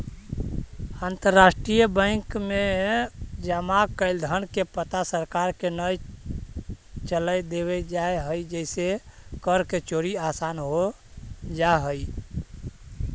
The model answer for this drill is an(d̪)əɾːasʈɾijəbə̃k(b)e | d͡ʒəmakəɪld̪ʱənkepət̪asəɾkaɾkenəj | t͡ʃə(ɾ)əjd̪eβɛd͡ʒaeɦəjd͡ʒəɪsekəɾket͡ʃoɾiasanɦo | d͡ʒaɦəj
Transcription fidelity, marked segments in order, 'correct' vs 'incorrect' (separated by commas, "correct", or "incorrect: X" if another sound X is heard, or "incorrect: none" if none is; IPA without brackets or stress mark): incorrect: t̪, incorrect: m, incorrect: l